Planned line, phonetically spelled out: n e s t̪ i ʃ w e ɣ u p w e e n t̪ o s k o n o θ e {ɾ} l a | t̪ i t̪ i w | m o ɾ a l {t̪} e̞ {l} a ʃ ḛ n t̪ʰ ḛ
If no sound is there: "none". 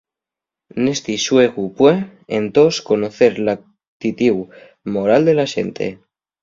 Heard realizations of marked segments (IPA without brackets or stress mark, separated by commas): ɾ, d̪, l